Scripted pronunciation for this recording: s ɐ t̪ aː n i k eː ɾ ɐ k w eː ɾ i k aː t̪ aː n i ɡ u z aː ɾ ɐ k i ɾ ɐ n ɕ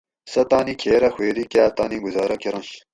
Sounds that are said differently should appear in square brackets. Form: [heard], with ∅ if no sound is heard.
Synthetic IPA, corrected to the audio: s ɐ t̪ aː n i [kʰ] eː ɾ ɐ [x] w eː ɾ i k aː t̪ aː n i ɡ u z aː ɾ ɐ k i ɾ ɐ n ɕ